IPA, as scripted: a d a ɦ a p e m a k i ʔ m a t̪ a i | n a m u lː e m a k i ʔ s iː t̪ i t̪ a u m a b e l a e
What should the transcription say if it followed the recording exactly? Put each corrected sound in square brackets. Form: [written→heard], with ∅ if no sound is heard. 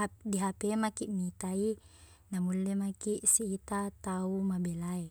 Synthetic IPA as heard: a d [a→i] ɦ a p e m a k i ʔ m [a→i] t̪ a i | n a m u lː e m a k i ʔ s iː t̪ [i→a] t̪ a u m a b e l a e